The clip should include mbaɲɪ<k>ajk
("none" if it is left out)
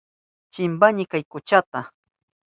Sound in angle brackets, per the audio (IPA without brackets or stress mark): k